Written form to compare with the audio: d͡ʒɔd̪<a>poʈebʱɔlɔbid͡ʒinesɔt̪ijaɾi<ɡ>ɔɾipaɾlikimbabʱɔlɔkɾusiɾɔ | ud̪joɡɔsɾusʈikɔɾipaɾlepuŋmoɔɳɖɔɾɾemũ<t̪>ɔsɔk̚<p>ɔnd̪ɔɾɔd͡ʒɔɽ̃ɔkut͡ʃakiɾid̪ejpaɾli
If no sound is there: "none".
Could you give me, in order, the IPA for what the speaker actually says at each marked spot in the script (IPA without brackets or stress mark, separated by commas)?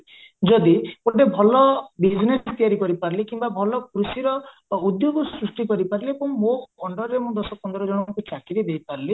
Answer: i, k, d̪, p